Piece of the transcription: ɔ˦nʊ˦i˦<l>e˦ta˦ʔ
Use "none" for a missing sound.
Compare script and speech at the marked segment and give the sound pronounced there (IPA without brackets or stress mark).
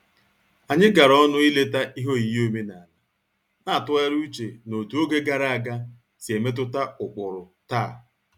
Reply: l